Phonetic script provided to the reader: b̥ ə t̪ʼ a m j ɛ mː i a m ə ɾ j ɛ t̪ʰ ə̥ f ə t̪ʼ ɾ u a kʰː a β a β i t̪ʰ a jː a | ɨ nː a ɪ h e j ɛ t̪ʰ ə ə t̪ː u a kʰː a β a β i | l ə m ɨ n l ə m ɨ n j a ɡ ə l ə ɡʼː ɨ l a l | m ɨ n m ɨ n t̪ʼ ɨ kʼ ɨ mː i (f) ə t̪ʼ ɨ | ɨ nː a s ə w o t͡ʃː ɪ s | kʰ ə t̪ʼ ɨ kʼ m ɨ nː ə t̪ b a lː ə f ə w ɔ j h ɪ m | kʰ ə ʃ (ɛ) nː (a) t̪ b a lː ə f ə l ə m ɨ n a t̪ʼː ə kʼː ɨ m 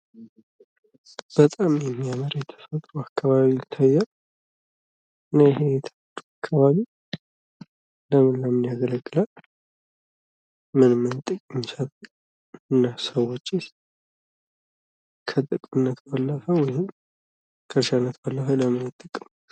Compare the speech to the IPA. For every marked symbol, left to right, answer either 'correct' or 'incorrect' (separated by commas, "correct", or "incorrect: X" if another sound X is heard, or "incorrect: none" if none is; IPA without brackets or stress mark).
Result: incorrect: s, incorrect: a, incorrect: ə